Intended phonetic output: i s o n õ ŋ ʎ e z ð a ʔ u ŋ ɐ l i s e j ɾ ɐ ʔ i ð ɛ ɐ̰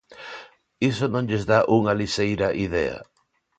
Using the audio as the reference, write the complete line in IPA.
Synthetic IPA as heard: i s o n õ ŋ ʎ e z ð a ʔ u ŋ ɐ l i s e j ɾ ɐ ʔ i ð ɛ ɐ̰